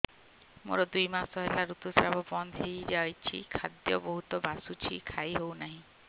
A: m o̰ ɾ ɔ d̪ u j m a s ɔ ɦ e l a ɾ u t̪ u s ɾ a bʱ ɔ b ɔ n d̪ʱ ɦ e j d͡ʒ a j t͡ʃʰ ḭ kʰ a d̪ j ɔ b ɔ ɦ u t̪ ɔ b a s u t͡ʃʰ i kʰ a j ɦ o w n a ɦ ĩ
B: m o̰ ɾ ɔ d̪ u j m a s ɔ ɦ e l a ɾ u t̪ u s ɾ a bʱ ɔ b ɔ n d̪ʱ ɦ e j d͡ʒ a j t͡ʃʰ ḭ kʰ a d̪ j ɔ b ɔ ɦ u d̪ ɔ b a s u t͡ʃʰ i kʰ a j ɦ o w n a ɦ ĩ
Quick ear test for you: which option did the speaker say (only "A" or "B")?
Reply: A